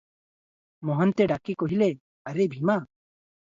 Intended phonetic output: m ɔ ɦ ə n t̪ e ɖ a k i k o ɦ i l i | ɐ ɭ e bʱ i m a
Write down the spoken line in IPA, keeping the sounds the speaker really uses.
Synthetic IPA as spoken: m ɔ ɦ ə n t̪ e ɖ a k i k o ɦ i l e | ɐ ɾ e bʱ i m a